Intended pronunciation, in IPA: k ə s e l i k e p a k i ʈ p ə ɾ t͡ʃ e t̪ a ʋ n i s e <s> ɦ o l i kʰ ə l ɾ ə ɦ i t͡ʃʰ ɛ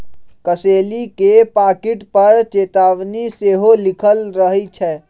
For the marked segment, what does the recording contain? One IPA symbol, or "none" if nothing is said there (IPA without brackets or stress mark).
none